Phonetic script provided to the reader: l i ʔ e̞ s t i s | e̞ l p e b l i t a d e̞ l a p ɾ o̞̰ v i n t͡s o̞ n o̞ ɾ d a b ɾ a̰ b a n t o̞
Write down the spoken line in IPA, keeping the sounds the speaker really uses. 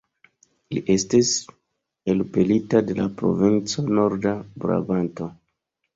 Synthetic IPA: l i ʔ e̞ s t i s | e̞ l p e l i t a d e̞ l a p ɾ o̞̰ v i n t͡s o̞ n o̞ ɾ d a b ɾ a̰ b a n t o̞